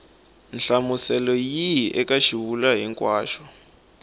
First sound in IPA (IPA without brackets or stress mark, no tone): n